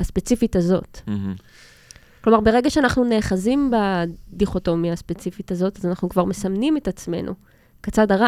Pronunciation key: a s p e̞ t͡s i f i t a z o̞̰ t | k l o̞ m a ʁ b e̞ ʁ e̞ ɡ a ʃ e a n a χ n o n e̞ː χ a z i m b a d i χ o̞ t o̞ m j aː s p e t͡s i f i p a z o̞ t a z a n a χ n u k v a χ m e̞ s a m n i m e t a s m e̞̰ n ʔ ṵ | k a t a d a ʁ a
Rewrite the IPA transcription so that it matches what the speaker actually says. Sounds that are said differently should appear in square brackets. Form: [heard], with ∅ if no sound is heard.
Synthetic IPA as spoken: a s p e̞ t͡s i f i t a z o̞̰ t | k l o̞ m a ʁ b e̞ ʁ e̞ ɡ a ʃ e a n a χ n [u] n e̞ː χ a z i m b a d i χ o̞ t o̞ m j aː s p e t͡s i f i [t] a z o̞ t a z a n a χ n u k v a [ʁ] m e̞ s a m n i m e t a [t͡s] m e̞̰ n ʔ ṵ | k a [t͡s] a d a ʁ a